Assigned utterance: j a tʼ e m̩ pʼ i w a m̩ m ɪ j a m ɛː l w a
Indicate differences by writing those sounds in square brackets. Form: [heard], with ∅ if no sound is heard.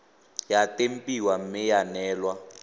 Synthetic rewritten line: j a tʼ e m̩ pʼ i w a m̩ m ɪ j a [n] ɛː l w a